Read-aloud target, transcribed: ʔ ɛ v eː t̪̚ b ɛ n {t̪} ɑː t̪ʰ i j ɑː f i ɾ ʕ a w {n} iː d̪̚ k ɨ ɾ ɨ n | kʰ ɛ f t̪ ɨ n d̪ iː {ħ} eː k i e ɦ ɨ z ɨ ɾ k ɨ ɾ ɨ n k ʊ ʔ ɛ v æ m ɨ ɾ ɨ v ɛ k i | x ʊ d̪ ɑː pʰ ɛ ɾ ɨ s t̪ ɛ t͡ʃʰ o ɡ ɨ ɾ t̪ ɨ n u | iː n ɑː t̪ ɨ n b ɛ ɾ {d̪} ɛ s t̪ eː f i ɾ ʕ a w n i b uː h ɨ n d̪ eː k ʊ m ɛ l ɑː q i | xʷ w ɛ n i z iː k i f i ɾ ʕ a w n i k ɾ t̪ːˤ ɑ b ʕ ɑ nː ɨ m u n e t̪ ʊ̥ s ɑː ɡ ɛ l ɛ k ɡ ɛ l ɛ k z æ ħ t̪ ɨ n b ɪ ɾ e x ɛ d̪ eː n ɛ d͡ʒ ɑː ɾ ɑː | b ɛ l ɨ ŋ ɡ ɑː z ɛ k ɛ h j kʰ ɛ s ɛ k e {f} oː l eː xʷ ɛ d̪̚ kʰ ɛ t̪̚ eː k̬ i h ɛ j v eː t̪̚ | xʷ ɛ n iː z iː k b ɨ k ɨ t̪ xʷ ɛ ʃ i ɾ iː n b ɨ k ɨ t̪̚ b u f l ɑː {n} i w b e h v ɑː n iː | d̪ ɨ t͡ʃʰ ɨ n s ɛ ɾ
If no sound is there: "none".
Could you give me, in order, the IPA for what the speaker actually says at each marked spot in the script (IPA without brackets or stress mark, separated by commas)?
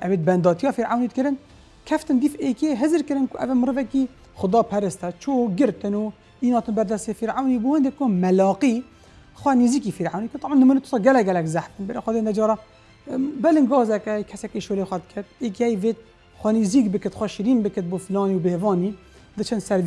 d̪, n, f, d̪, ʃ, n